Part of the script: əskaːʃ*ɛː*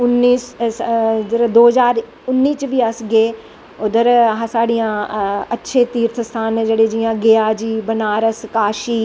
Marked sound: incorrect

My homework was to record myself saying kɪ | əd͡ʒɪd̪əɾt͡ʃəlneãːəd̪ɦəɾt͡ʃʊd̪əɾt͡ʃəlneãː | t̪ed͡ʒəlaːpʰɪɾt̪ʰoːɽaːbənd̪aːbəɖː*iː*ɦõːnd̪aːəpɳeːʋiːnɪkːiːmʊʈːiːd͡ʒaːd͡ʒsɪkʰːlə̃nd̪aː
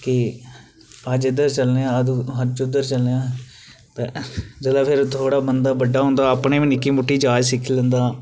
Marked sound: incorrect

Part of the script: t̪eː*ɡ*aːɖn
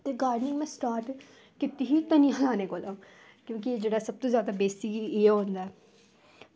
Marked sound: correct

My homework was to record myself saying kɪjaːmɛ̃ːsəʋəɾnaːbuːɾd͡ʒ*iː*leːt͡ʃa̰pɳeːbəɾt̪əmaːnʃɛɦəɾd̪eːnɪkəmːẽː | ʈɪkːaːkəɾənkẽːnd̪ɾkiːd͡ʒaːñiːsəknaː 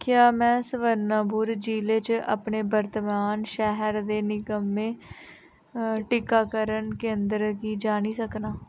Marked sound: correct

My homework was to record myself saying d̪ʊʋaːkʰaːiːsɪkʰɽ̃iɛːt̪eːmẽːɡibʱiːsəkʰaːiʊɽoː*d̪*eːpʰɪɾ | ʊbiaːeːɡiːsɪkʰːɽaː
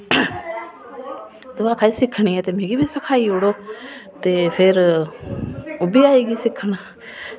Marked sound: incorrect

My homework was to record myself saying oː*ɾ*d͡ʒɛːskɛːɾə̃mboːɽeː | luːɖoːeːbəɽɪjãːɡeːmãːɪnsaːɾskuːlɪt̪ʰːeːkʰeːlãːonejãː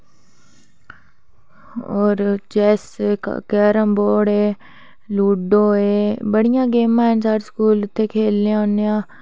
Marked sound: correct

